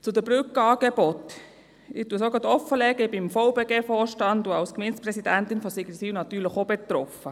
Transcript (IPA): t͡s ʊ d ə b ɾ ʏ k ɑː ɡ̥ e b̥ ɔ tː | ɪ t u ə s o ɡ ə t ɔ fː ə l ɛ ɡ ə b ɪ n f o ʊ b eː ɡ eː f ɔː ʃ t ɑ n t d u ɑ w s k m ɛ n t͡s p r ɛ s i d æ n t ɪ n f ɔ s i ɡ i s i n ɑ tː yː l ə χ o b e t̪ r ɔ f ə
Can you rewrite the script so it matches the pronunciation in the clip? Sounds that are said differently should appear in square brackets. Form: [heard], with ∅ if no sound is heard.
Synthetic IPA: t͡s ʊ d ə b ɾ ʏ k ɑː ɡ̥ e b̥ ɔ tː | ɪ t u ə s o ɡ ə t ɔ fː ə l ɛ ɡ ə b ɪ [m] f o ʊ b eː ɡ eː f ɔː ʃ t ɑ n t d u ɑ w s k m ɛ n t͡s p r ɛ s i d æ n t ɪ n f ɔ s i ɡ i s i n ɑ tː yː l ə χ o b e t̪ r ɔ f ə